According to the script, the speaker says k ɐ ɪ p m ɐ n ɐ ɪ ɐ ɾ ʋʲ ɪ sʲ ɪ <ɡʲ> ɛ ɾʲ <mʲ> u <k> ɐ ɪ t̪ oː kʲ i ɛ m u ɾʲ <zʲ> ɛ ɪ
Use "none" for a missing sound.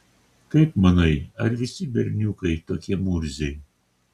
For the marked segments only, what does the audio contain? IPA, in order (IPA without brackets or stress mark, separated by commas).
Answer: bʲ, nʲ, k, zʲ